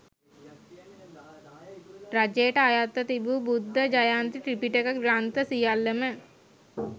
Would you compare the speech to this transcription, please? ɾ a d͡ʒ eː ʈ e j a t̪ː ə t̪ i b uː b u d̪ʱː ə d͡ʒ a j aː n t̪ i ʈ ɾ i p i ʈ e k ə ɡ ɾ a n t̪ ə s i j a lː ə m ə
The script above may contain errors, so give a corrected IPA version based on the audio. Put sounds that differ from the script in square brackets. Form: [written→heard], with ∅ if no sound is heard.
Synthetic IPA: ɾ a d͡ʒ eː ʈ [e→a] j a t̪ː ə t̪ i b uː b u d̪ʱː ə d͡ʒ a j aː n t̪ i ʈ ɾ i p i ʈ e k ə ɡ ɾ a n t̪ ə s i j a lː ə m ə